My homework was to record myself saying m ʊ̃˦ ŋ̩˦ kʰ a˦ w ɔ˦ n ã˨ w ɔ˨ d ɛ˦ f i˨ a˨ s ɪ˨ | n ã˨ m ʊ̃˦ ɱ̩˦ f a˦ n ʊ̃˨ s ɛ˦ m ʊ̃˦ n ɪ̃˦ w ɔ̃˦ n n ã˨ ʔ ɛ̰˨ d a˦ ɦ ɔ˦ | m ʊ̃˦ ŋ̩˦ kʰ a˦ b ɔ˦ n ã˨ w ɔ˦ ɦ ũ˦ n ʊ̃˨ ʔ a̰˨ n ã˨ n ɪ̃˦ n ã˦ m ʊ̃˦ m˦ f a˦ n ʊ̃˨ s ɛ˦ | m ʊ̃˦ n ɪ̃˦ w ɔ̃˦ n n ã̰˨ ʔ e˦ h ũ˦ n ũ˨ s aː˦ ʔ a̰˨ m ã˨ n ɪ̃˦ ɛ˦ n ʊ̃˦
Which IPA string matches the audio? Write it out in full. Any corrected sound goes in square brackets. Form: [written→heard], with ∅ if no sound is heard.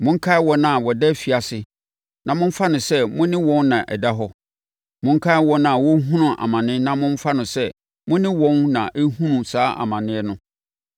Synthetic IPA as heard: m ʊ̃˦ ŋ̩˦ kʰ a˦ w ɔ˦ n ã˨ w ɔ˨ d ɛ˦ f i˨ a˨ s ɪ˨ | n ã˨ m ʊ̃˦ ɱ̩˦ f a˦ n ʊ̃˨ s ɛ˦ m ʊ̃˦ n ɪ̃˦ w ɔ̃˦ n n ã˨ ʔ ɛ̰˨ d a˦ ɦ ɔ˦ | m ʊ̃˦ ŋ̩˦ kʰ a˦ [b→w] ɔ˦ n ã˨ w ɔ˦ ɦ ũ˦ n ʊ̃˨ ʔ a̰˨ [n→m] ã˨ n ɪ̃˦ n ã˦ m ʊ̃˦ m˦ f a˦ n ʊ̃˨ s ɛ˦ | m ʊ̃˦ n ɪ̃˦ w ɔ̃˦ n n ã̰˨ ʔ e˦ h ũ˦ n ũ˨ s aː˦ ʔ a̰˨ m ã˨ n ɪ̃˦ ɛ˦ n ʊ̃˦